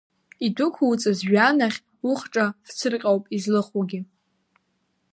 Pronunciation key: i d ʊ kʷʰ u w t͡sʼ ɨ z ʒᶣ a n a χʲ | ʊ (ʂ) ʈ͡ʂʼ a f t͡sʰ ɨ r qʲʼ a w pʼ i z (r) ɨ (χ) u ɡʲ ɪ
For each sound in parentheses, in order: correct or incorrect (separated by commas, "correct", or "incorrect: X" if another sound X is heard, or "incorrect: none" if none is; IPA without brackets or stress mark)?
incorrect: χ, incorrect: l, correct